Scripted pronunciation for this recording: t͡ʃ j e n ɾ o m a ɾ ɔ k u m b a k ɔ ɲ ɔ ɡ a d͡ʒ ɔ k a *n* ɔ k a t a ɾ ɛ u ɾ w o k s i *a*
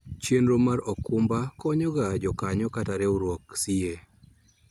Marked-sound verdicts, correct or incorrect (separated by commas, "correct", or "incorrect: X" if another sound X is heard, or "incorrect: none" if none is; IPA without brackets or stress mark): incorrect: ɲ, incorrect: e